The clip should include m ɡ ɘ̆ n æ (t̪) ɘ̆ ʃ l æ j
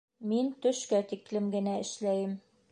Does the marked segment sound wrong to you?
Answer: yes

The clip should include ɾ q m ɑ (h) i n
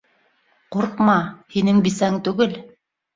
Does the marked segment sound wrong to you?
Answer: no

